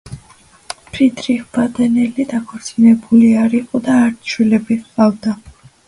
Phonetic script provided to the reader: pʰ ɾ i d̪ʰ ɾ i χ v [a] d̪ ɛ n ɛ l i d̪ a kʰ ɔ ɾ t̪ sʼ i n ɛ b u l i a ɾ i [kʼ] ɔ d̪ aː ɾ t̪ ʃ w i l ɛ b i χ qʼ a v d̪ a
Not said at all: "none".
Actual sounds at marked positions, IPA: a, qʼ

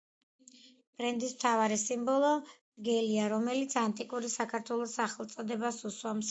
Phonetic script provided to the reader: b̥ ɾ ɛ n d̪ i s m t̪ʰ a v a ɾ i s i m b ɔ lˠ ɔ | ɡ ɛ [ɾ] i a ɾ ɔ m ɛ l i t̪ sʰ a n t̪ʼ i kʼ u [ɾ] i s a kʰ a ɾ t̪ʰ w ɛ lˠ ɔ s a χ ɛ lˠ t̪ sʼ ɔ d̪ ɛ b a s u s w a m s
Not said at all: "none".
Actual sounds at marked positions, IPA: l, ɾ

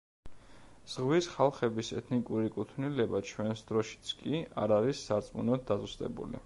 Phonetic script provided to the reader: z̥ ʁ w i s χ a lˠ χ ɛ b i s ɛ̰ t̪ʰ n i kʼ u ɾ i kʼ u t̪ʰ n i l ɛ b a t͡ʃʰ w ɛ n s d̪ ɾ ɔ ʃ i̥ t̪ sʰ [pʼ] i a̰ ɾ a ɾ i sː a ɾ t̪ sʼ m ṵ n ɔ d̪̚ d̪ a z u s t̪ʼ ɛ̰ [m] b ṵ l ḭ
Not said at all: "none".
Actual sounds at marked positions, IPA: kʼ, none

